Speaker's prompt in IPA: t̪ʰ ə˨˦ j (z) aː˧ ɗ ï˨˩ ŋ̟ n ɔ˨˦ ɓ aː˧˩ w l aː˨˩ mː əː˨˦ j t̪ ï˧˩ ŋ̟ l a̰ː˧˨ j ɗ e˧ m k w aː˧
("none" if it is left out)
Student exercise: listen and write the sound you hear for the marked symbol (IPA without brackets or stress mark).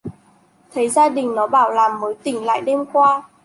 z